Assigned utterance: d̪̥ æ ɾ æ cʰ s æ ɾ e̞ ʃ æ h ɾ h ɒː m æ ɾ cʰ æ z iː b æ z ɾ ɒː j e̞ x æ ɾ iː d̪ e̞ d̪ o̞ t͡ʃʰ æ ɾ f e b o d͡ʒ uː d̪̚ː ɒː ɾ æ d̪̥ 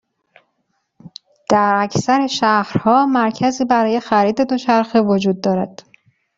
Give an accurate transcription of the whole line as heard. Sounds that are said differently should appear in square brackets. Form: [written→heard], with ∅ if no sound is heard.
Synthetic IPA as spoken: d̪̥ æ ɾ æ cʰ s æ ɾ e̞ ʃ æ h ɾ h ɒː m æ ɾ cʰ æ z iː b æ [z→∅] ɾ ɒː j e̞ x æ ɾ iː d̪ e̞ d̪ o̞ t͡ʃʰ æ ɾ [f→x] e [b→v] o d͡ʒ uː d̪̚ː ɒː ɾ æ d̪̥